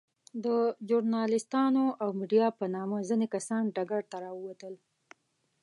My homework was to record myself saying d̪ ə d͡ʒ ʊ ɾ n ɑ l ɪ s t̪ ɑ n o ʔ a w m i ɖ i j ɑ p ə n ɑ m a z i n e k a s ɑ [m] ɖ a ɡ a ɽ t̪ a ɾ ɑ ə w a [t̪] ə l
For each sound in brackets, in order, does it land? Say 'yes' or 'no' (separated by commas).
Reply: no, yes